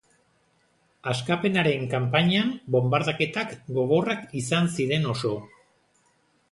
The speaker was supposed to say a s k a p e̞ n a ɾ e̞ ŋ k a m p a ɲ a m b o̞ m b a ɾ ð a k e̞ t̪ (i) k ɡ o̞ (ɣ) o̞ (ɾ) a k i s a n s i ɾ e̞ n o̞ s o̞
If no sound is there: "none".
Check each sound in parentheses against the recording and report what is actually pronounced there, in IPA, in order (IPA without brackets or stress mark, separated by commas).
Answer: a, ɣ, r